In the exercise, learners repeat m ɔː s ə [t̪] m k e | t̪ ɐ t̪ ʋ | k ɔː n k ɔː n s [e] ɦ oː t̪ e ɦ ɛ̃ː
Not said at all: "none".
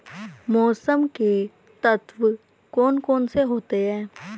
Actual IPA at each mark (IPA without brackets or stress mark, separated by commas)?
none, e